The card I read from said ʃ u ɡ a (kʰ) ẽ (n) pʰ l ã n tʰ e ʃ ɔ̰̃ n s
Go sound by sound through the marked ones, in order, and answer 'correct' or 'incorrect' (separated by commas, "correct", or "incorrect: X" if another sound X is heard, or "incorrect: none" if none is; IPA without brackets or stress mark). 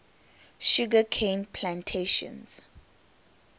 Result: correct, correct